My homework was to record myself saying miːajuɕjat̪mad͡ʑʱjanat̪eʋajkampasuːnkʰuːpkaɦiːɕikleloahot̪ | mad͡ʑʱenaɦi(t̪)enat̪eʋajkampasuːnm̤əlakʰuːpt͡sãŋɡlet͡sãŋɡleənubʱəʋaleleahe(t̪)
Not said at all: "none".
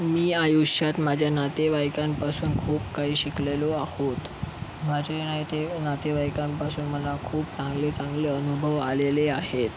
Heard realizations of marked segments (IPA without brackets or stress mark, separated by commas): t̪, t̪